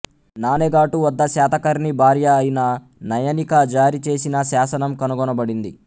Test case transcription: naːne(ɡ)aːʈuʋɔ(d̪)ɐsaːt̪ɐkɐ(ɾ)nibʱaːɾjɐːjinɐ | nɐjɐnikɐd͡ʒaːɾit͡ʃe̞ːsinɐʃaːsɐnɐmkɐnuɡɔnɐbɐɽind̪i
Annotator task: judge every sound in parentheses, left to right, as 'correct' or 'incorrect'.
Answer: correct, incorrect, correct

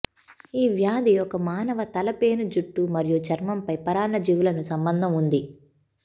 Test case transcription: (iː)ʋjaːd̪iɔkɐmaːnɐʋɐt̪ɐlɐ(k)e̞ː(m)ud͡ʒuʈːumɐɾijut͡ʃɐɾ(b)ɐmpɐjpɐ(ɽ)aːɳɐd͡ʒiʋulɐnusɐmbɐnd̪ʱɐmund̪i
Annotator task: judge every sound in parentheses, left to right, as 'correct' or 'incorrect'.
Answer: correct, incorrect, incorrect, incorrect, incorrect

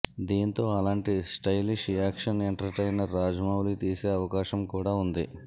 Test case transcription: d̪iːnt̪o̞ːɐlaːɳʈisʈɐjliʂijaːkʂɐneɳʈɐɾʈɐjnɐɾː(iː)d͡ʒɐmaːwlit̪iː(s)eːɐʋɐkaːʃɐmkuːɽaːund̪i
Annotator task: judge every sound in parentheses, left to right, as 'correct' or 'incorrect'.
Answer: incorrect, correct

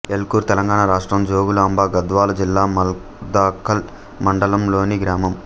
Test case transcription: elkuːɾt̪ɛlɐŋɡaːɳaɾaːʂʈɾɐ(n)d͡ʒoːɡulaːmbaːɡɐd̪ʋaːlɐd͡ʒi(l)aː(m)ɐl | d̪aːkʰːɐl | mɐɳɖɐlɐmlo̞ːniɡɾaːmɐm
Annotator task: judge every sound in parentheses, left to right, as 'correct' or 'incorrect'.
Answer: incorrect, incorrect, correct

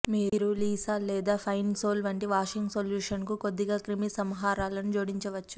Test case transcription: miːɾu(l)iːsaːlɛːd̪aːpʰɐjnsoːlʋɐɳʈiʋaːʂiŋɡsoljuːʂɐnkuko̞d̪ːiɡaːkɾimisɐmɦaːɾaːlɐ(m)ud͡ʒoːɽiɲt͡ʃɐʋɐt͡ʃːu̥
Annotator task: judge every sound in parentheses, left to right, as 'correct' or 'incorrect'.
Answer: correct, incorrect

